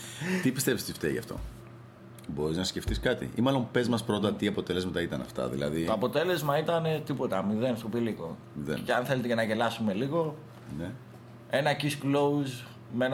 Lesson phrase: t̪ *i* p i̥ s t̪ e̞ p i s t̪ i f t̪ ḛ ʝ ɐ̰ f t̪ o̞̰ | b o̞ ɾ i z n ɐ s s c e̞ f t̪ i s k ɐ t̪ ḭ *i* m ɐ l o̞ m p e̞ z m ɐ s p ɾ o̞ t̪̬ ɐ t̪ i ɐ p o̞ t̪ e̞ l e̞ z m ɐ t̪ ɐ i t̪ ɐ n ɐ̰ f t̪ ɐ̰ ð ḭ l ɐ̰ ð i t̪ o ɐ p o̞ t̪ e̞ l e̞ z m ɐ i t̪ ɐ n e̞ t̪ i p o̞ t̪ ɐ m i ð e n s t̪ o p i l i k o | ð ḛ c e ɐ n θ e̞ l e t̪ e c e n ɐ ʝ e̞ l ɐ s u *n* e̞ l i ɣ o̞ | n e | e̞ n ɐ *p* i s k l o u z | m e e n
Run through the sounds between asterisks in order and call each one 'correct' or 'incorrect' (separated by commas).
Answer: correct, correct, incorrect, incorrect